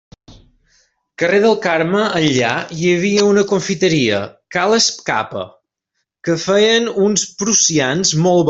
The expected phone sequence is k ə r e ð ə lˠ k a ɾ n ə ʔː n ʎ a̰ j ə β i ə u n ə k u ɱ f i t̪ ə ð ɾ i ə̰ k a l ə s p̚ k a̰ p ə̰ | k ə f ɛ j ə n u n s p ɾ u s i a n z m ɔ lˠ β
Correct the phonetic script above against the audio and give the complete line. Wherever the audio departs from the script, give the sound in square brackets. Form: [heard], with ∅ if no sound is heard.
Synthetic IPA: k ə r e ð ə lˠ k a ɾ [m] ə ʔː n ʎ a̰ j ə β i ə u n ə k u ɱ f i t̪ ə [∅] ɾ i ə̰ k a l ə s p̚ k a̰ p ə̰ | k ə f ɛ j ə n u n s p ɾ u s i a n z m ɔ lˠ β